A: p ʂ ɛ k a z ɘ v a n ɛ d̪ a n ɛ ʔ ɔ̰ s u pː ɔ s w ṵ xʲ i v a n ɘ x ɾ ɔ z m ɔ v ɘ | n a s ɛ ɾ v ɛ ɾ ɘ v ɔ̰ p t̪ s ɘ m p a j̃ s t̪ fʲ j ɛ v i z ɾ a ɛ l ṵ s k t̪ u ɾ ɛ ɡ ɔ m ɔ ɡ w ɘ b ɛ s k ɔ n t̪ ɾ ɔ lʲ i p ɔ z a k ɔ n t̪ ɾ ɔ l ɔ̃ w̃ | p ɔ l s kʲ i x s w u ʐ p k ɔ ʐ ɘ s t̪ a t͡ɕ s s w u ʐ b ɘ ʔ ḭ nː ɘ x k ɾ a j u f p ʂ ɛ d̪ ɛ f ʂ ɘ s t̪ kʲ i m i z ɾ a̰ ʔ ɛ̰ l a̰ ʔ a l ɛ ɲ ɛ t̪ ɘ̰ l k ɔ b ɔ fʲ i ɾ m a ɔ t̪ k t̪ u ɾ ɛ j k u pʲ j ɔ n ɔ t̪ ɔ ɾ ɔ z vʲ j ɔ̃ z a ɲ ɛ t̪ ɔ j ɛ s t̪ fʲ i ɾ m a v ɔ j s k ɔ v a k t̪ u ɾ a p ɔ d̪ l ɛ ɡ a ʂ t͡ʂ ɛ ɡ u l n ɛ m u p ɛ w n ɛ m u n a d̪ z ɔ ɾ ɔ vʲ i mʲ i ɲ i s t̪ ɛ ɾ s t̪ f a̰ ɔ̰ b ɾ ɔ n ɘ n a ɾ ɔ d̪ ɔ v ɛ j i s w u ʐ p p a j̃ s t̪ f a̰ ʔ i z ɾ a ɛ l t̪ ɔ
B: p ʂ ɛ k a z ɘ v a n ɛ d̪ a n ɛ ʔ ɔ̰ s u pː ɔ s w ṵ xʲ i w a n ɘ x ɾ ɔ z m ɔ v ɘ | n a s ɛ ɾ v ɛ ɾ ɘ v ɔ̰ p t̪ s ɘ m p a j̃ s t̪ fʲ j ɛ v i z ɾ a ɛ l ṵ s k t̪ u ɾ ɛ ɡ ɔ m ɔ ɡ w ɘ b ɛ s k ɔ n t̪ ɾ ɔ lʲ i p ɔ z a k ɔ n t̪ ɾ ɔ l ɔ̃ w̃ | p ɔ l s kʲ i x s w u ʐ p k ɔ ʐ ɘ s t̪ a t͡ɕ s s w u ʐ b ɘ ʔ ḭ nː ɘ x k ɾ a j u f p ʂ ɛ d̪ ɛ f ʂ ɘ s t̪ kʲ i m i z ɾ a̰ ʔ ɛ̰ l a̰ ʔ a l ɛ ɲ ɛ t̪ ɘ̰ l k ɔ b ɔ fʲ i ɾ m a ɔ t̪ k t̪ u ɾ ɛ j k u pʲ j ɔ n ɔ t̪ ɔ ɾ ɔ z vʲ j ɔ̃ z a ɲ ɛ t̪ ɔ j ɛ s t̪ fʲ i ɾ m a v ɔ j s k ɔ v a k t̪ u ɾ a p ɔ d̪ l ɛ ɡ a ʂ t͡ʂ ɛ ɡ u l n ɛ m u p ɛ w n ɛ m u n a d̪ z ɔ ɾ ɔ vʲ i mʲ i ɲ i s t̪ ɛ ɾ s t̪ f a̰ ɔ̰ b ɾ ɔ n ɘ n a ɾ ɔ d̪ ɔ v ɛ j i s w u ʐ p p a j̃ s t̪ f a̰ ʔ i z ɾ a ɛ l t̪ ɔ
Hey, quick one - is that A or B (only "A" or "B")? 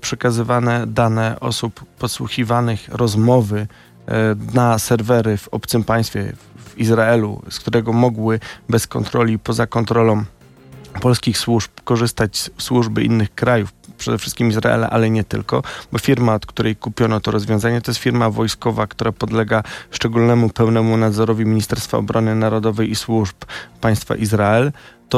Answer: A